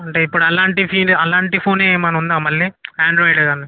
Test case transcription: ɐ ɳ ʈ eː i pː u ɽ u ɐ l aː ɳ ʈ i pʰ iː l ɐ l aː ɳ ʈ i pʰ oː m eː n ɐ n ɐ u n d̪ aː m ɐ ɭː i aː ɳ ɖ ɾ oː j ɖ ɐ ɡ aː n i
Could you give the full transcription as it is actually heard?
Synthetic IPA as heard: ɐ ɳ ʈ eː i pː u ɽ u ɐ l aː ɳ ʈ i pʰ iː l ɐ l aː ɳ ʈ i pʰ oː n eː m ɐ n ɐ u n d̪ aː m ɐ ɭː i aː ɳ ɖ ɾ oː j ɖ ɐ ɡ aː n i